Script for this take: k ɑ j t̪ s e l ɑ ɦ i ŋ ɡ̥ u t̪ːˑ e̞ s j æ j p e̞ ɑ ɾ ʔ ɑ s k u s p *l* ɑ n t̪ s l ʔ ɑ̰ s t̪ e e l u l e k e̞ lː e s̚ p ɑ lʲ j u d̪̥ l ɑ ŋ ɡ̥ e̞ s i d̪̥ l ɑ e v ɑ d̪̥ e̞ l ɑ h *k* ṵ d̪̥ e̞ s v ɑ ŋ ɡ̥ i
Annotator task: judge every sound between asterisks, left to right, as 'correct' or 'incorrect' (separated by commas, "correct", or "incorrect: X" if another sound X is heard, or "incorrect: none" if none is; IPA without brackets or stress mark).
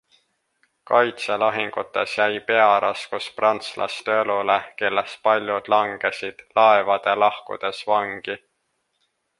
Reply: incorrect: r, correct